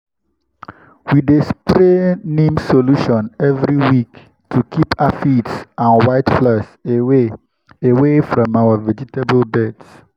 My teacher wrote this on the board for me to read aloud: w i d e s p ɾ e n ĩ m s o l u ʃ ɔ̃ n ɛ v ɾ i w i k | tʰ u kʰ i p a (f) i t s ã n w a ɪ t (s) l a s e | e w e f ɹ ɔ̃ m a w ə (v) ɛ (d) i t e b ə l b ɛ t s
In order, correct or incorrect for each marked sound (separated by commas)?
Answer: correct, incorrect, correct, incorrect